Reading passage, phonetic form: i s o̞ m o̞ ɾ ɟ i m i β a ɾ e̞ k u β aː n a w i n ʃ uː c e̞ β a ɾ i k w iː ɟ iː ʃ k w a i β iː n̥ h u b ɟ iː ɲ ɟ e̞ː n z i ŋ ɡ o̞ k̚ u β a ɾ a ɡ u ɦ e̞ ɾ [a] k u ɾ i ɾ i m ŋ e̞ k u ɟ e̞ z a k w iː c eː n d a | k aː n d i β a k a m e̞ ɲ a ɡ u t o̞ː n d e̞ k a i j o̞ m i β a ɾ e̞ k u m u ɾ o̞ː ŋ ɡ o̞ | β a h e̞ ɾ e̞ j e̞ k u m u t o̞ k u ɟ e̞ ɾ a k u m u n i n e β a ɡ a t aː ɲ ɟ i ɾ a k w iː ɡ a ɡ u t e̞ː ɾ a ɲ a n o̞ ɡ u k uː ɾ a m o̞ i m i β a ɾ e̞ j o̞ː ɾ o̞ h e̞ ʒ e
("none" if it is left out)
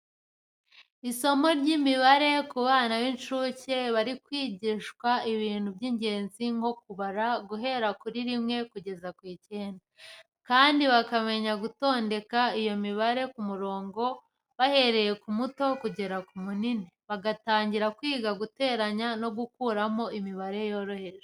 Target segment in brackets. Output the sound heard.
a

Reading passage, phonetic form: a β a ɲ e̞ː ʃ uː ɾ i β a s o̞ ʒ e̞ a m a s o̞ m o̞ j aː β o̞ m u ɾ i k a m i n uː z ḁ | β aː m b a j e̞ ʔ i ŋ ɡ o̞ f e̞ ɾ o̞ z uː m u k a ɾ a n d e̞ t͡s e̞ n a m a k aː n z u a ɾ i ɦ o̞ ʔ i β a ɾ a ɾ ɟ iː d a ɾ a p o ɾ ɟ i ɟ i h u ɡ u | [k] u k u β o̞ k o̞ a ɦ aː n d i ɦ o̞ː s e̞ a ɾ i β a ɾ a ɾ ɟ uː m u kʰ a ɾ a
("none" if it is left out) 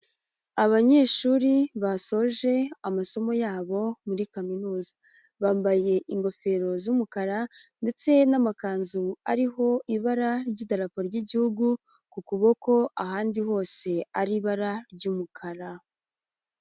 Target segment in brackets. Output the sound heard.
k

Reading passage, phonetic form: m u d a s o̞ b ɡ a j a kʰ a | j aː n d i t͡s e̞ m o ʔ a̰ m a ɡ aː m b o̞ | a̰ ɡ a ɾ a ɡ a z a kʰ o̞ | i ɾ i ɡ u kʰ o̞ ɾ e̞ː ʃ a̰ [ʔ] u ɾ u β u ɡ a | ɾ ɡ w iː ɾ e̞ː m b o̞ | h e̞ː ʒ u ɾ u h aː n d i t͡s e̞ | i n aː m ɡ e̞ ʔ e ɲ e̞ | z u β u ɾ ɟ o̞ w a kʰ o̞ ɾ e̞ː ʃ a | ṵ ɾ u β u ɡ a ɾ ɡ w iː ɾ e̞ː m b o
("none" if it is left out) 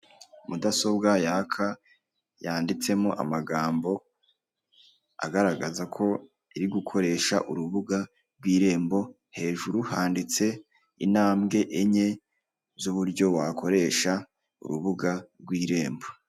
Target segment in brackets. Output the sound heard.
ʔ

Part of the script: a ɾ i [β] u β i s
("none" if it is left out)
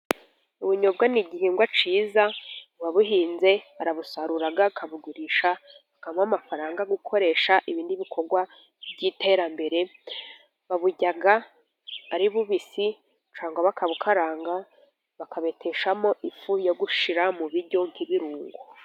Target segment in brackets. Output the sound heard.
β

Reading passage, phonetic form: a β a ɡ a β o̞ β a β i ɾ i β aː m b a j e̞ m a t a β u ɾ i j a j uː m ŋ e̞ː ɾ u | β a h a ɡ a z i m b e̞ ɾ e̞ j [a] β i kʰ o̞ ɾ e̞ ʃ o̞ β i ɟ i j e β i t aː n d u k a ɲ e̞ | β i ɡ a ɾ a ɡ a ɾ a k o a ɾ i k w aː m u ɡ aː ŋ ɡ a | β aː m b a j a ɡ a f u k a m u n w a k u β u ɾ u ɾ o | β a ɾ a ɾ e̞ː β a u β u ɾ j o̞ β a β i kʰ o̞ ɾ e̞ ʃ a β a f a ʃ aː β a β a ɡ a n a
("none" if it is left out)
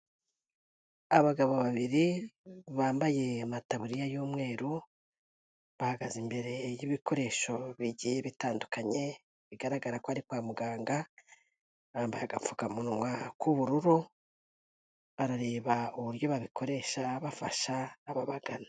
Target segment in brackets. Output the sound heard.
i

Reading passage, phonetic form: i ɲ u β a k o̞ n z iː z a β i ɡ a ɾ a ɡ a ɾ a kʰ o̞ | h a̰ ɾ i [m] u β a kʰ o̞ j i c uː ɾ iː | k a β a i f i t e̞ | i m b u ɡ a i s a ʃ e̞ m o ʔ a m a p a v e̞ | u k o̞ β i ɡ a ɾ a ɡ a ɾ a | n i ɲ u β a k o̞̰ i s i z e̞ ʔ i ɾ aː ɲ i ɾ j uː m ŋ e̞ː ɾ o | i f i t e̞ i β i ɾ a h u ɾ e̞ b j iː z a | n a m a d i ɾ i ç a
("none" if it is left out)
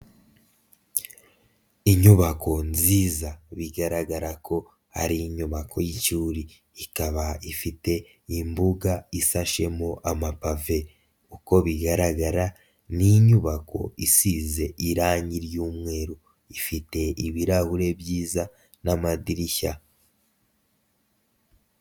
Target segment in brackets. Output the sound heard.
ɲ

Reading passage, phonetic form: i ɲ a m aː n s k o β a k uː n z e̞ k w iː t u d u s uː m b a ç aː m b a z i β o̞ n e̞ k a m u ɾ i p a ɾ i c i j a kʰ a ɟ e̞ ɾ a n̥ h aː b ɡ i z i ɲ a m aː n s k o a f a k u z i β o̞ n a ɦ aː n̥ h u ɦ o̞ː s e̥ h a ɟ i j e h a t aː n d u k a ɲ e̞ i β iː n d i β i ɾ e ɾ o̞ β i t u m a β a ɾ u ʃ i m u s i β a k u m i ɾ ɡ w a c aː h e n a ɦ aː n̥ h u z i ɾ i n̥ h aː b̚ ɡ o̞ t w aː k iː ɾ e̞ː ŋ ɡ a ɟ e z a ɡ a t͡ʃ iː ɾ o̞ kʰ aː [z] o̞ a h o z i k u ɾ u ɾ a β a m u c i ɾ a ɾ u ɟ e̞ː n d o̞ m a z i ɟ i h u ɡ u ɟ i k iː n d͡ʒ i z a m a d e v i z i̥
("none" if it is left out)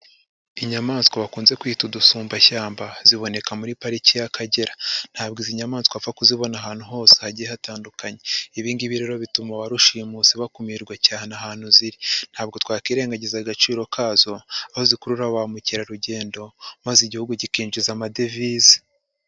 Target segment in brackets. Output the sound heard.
z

